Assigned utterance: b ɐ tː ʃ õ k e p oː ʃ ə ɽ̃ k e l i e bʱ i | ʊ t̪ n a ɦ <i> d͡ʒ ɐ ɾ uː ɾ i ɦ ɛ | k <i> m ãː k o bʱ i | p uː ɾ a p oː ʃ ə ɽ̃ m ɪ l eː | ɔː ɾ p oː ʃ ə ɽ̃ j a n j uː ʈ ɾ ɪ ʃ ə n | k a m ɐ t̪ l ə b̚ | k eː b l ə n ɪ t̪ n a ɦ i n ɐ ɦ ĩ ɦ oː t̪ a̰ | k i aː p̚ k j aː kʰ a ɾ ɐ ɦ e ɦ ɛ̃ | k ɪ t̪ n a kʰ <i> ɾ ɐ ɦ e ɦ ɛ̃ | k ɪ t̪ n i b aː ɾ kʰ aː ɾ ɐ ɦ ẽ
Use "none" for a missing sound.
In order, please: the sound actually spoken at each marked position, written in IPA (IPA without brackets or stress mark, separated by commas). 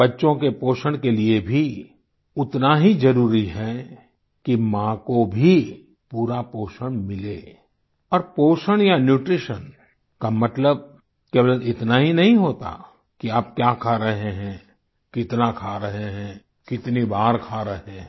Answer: i, i, a